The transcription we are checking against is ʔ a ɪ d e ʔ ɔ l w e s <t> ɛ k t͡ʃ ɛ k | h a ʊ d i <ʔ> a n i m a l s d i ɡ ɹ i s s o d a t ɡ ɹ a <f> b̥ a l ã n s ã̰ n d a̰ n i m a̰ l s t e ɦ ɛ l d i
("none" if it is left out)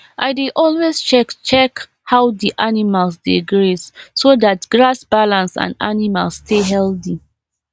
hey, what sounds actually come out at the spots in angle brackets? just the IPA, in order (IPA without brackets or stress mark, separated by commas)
t͡ʃ, ʔ, s